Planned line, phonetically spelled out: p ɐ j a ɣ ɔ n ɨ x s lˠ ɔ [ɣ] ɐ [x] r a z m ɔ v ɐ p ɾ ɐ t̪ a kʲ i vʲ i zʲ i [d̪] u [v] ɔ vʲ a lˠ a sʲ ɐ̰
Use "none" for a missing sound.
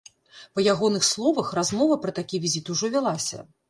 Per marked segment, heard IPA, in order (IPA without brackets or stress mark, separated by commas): v, x, t̪, ʐ